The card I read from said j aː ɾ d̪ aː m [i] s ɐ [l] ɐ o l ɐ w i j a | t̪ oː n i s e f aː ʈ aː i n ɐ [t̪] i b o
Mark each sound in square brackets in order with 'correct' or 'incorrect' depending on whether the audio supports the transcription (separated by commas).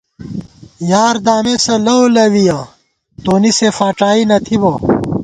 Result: incorrect, correct, incorrect